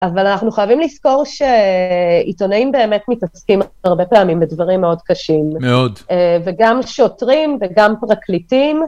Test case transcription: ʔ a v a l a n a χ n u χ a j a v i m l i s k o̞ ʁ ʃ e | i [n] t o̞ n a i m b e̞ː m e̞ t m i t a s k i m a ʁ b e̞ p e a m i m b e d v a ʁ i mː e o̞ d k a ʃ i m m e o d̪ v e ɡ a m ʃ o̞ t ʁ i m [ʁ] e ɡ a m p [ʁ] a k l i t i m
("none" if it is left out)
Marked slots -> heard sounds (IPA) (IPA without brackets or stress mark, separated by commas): none, v, ʁ